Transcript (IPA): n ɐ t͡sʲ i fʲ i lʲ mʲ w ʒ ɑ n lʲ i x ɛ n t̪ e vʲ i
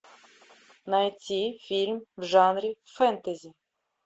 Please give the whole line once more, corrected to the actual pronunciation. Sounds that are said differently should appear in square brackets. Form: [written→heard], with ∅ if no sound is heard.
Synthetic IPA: n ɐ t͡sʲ i fʲ i lʲ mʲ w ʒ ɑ n [lʲ→ɾʲ] i [x→f] ɛ n t̪ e [vʲ→zʲ] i